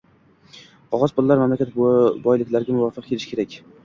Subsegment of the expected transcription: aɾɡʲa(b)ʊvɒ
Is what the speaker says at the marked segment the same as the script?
no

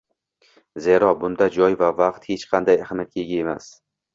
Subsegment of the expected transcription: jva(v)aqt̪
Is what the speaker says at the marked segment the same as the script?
yes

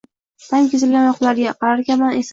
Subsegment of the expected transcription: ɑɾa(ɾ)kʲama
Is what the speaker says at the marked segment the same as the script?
yes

